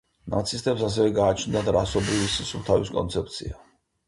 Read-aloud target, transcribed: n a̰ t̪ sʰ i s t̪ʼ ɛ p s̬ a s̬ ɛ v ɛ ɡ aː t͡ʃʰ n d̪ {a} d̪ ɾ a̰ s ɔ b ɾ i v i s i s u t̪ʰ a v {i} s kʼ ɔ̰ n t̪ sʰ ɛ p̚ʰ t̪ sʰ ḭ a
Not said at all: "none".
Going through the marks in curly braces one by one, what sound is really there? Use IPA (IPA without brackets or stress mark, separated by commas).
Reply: a, i